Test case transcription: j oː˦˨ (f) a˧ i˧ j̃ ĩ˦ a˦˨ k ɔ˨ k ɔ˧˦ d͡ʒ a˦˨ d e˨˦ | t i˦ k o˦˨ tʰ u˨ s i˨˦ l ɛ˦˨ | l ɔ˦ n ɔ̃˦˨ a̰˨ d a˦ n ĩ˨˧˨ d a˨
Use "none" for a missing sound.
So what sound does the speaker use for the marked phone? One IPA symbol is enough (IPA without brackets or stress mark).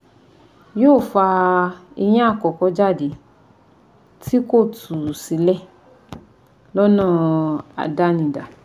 f